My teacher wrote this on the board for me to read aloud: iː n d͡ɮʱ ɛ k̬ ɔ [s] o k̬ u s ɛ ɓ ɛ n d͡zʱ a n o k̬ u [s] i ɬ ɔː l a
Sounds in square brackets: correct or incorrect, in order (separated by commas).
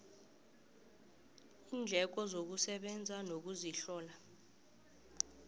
incorrect, incorrect